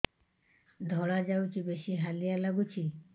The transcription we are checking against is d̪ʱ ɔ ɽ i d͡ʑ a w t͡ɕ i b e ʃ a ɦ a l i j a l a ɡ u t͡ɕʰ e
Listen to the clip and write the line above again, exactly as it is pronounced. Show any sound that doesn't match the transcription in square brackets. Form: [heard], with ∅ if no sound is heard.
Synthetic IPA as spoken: d̪ʱ ɔ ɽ [a] d͡ʑ a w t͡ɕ i b e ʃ [i] ɦ a l i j a l a ɡ u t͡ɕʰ [i]

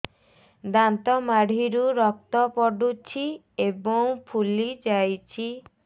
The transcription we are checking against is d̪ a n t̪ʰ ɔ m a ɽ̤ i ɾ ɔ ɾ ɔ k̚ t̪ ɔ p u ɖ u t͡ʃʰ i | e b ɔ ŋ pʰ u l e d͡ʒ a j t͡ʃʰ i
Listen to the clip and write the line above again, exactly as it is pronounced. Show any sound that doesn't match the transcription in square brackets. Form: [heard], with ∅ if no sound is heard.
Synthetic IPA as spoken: d̪ a n [t̪] ɔ m a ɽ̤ i ɾ [u] ɾ ɔ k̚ t̪ ɔ p [ɔ] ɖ u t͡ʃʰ i | e b ɔ ŋ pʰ u l [i] d͡ʒ a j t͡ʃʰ i

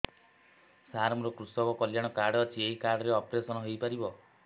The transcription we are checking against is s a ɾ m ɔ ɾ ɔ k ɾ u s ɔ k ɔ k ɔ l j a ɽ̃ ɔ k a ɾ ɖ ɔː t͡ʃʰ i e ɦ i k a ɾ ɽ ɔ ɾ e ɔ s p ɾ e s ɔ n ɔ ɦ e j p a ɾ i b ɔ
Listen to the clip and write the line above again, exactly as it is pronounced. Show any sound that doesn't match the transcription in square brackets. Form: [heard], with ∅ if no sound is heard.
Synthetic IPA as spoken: s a ɾ m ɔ ɾ ɔ k ɾ u s ɔ k ɔ k ɔ l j a ɽ̃ ɔ k a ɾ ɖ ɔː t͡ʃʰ i e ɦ i k a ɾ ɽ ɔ ɾ e ɔ [∅] p ɾ e s ɔ n ɔ ɦ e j p a ɾ i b ɔ

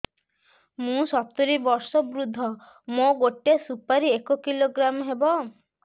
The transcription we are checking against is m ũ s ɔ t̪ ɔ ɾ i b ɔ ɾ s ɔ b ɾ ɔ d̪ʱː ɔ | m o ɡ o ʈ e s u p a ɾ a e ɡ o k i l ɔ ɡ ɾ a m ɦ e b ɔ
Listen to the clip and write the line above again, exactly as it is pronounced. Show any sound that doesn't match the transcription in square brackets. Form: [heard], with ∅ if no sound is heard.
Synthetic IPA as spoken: m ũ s ɔ t̪ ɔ ɾ i b ɔ ɾ s ɔ b ɾ [u] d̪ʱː ɔ | m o ɡ o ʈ e s u p a ɾ [i] e [k] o k i l [o] ɡ ɾ a m ɦ e b ɔ

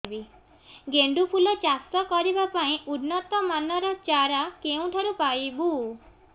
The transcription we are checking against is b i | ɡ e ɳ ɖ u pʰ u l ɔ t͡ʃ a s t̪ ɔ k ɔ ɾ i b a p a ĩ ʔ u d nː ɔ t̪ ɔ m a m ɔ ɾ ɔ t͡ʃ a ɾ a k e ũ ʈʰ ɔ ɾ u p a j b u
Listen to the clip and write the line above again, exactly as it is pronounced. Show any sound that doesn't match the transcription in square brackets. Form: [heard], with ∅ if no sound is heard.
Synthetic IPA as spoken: b i | ɡ e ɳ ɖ u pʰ u l ɔ t͡ʃ a s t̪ ɔ k ɔ ɾ i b a p a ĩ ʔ u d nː ɔ t̪ ɔ m a [n] ɔ ɾ ɔ t͡ʃ a ɾ a k e ũ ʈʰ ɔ ɾ u p a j b u

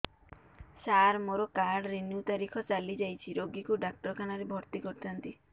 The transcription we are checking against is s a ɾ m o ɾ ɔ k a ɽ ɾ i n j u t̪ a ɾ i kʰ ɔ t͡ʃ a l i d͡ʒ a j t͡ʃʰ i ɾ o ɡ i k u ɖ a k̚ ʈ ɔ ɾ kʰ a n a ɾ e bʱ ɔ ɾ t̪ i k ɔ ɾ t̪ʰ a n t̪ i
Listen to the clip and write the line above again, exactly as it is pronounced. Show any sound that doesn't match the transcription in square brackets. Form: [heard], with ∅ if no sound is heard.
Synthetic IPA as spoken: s a ɾ m o ɾ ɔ k a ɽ ɾ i n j u t̪ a ɾ i kʰ ɔ t͡ʃ a l i d͡ʒ a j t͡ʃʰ i ɾ o ɡ i k u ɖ a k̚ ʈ ɔ ɾ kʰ a n a ɾ e bʱ ɔ ɾ t̪ i k ɔ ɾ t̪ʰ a n t̪ i

